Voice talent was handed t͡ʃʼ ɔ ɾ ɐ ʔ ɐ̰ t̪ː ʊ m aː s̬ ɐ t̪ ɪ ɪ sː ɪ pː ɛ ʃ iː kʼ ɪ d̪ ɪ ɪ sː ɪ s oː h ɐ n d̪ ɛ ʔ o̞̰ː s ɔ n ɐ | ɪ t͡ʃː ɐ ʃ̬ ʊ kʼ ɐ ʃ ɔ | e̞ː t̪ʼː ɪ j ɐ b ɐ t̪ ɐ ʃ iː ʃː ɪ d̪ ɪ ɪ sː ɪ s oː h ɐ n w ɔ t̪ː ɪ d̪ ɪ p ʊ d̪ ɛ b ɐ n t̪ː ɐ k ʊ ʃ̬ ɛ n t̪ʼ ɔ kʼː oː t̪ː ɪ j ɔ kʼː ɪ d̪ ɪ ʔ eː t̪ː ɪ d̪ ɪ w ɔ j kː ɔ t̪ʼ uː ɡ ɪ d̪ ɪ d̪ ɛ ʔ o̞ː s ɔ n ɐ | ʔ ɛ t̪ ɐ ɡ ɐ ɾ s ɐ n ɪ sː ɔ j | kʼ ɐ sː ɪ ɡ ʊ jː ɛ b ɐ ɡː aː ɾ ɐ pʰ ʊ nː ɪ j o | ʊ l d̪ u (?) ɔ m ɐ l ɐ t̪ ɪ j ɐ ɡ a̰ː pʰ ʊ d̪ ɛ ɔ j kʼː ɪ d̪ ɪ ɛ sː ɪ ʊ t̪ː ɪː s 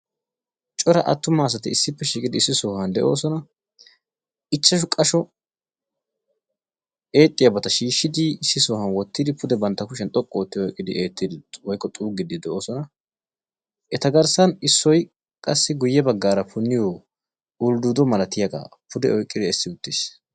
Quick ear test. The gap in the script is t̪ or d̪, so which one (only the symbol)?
d̪